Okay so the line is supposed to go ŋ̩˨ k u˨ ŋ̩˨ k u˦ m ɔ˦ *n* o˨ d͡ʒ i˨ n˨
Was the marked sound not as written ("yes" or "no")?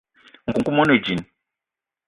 no